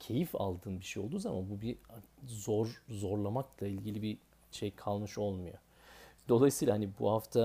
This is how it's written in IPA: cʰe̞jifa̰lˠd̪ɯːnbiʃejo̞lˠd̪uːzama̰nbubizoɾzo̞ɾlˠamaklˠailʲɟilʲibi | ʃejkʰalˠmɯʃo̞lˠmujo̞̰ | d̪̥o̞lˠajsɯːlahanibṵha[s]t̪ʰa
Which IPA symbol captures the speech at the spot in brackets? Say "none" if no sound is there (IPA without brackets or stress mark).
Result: f